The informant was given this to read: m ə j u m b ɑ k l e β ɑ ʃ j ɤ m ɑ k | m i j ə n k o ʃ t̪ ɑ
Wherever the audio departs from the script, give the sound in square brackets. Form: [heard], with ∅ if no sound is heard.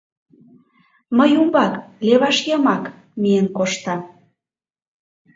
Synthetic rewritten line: m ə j u m b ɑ k l e β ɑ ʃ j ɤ m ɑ k | m i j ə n k o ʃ t̪ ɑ